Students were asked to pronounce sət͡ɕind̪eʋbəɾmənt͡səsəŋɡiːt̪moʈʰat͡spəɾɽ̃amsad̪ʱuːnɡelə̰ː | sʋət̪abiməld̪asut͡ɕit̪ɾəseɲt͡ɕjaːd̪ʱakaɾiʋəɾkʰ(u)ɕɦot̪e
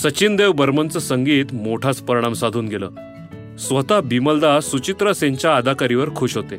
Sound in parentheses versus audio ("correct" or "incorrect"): incorrect